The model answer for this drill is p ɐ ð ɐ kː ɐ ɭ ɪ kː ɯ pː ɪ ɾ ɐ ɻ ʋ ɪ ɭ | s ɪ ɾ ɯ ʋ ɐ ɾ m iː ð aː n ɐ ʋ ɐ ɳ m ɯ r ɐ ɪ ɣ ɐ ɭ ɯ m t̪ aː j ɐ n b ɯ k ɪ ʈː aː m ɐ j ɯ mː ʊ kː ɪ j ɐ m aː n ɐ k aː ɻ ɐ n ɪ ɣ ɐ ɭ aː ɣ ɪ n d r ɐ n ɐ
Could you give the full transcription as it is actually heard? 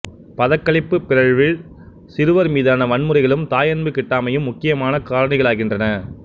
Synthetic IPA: p ɐ ð ɐ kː ɐ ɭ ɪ pː ɯ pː ɪ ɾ ɐ ɻ ʋ ɪ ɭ | s ɪ ɾ ɯ ʋ ɐ ɾ m iː ð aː n ɐ ʋ ɐ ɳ m ɯ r ɐ ɪ ɣ ɐ ɭ ɯ m t̪ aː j ɐ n b ɯ k ɪ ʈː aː m ɐ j ɯ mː ʊ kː ɪ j ɐ m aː n ɐ k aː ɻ ɐ n ɪ ɣ ɐ ɭ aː ɣ ɪ n d r ɐ n ɐ